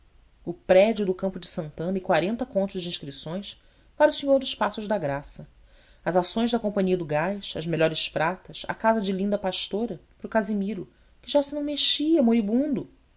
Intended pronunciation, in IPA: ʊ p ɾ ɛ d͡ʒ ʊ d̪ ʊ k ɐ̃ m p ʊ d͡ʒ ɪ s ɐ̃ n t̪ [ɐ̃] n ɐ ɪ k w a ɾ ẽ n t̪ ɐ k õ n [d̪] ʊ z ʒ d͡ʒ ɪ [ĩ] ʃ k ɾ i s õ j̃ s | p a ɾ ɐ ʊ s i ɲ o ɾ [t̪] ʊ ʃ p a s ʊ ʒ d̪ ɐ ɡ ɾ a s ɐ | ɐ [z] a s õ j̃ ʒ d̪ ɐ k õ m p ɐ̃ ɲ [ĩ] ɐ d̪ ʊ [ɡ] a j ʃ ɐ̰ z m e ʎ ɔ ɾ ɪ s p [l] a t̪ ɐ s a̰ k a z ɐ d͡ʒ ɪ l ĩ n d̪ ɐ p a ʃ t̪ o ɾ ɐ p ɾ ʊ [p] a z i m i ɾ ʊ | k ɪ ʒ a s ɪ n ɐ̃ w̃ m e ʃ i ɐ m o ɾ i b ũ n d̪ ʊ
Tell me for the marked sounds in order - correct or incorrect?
correct, incorrect, correct, incorrect, correct, incorrect, correct, incorrect, incorrect

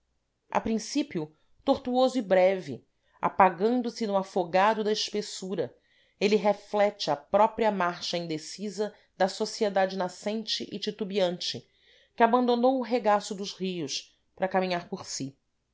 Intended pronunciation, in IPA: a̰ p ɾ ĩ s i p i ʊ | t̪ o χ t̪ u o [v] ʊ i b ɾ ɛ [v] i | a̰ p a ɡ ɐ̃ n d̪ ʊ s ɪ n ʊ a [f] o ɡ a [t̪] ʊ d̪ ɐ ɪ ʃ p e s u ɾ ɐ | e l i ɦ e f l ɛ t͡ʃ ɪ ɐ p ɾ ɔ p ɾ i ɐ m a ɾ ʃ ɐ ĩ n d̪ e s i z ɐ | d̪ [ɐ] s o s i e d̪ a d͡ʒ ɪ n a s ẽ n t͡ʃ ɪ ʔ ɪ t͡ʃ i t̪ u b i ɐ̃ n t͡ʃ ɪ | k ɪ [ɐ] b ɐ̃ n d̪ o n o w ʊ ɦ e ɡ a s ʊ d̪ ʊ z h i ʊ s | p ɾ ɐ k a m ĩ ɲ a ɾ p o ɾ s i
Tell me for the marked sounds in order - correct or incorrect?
incorrect, correct, correct, incorrect, correct, incorrect

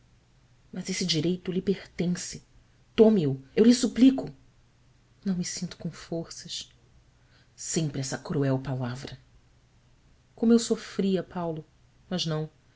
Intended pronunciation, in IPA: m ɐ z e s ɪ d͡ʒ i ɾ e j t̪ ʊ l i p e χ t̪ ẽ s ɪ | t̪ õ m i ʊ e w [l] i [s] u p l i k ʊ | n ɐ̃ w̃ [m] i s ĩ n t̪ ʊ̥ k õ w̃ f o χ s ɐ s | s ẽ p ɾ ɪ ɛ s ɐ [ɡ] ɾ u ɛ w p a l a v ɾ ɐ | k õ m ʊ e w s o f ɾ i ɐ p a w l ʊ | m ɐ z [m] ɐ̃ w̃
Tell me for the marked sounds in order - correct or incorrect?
correct, correct, correct, incorrect, incorrect

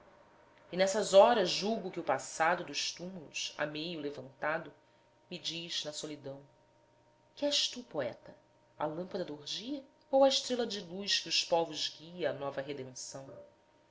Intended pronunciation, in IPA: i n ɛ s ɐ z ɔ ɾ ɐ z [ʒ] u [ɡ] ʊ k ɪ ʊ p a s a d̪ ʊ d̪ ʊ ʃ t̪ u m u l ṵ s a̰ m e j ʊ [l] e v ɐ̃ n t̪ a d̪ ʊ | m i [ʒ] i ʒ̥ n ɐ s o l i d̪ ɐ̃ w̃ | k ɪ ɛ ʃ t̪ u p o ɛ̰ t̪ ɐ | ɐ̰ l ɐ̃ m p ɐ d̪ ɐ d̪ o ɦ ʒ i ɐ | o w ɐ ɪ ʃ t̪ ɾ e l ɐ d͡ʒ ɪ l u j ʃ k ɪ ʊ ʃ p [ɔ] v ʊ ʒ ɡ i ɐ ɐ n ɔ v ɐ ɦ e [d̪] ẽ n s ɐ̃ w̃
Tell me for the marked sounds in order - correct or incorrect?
correct, correct, correct, incorrect, correct, correct

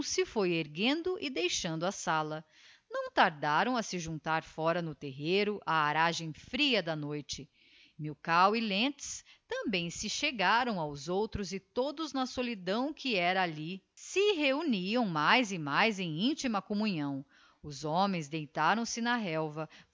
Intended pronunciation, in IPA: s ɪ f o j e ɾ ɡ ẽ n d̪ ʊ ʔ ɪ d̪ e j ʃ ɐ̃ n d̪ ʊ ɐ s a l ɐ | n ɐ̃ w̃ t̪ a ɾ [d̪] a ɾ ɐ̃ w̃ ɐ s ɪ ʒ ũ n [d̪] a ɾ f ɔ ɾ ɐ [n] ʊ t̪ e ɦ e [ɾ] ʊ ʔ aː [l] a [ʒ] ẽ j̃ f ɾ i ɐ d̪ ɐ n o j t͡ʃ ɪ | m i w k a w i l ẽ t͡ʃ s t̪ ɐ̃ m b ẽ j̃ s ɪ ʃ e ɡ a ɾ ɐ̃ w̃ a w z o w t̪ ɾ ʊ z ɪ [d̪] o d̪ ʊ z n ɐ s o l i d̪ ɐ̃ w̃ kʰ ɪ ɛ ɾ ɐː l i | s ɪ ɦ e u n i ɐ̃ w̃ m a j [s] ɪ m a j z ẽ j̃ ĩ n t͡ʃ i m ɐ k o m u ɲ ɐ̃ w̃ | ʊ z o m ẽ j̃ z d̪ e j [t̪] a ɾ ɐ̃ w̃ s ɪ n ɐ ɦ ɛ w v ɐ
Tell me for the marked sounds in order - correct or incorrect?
correct, incorrect, correct, correct, incorrect, correct, incorrect, incorrect, correct

